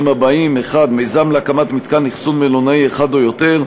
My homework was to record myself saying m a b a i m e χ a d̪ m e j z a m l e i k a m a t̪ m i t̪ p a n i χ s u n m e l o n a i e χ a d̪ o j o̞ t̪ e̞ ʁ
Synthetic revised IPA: m a b a i m e χ a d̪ m e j z a m l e a k a m a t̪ m i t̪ k a n i χ s u n m e l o n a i e χ a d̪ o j o̞ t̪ e̞ ʁ